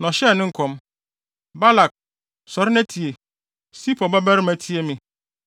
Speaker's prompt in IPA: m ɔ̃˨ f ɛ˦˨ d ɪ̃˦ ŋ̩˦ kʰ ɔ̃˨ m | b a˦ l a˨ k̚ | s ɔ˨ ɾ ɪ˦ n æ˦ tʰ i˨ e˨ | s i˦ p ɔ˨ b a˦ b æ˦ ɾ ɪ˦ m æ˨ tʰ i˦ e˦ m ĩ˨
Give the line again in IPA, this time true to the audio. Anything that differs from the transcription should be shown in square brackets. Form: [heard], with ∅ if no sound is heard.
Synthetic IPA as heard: [n] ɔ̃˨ [ɕ] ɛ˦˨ [n] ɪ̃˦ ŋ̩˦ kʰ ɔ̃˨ m | b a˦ l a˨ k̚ | s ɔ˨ ɾ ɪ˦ n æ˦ tʰ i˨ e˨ | s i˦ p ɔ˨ b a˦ b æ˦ ɾ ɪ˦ m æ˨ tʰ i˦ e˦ m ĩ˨